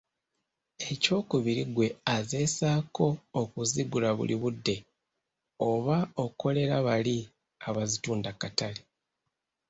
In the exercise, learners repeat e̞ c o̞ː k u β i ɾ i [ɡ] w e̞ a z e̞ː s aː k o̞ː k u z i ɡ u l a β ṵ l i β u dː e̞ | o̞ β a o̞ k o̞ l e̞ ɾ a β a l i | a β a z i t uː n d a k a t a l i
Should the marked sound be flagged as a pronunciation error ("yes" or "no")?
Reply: no